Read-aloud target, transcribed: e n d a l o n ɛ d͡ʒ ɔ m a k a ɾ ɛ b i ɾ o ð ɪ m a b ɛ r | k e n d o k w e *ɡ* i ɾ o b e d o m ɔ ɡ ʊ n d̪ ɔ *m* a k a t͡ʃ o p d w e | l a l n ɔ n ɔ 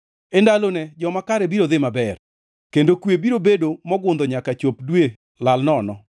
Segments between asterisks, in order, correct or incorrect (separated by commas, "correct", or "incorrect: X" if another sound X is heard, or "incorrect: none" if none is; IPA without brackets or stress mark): incorrect: b, incorrect: ɲ